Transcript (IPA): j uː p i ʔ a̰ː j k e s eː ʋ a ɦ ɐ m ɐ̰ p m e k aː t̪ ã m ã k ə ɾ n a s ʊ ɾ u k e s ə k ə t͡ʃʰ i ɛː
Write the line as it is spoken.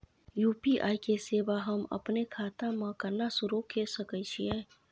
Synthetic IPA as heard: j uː p i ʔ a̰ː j k e s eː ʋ a ɦ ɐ m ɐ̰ p n e kʰ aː t̪ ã m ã k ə ɾ n a s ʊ ɾ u k e s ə k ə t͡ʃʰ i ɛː